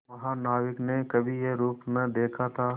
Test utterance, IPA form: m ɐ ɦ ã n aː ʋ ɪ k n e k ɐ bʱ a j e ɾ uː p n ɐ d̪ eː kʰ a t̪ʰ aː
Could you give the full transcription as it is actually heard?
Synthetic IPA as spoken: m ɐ ɦ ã n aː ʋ ɪ k n e k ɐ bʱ i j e ɾ uː p n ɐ d̪ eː kʰ a t̪ʰ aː